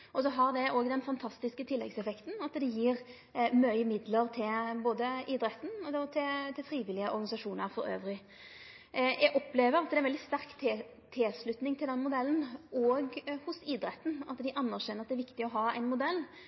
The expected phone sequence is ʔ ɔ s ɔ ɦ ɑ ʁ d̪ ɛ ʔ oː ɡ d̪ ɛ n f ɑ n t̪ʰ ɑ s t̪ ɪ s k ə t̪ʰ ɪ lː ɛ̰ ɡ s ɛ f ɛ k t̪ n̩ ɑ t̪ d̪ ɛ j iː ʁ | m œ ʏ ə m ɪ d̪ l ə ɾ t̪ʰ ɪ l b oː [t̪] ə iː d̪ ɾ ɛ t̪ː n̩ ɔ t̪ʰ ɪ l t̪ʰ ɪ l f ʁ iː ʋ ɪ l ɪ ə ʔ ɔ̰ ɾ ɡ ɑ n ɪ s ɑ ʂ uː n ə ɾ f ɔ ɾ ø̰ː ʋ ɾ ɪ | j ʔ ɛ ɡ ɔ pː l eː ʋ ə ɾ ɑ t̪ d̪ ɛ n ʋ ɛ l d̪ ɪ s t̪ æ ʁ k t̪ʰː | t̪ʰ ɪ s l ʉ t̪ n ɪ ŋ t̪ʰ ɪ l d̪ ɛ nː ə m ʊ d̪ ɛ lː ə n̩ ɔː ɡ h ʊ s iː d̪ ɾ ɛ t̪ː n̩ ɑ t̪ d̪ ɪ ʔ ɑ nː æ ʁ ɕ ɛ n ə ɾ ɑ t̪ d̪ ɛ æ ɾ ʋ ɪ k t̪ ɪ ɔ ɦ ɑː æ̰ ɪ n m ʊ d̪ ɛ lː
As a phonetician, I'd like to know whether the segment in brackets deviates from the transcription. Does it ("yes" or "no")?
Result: yes